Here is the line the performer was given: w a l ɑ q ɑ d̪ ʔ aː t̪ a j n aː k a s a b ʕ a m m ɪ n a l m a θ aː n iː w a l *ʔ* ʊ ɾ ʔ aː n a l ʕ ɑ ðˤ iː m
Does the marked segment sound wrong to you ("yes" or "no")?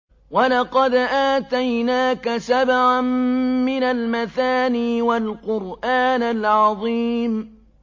yes